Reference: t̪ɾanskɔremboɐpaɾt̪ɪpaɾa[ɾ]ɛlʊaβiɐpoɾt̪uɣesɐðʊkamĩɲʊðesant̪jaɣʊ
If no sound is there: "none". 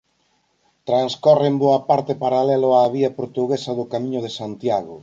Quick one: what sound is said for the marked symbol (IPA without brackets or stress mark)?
l